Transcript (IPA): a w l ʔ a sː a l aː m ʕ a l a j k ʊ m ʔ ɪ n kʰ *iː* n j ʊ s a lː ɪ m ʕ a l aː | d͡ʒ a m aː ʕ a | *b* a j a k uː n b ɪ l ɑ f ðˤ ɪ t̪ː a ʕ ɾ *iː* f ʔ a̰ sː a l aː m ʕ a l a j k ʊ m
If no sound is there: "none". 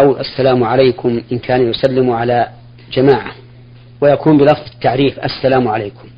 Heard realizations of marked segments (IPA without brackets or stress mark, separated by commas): aː, w, iː